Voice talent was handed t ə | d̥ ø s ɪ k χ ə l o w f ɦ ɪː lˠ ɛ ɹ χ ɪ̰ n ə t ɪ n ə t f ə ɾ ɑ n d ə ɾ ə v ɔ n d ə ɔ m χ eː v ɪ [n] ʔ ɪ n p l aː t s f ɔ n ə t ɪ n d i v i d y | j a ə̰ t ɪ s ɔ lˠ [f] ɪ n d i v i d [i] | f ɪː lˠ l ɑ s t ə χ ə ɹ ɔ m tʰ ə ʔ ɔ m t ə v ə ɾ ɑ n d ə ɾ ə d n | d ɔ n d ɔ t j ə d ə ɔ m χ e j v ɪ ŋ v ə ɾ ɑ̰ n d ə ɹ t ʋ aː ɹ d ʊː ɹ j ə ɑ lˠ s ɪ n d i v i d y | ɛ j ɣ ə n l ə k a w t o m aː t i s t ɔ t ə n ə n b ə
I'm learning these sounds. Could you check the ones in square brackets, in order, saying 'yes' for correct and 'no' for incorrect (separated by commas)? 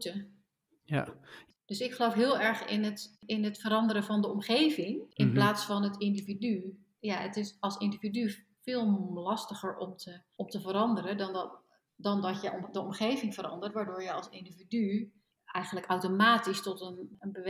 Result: no, no, no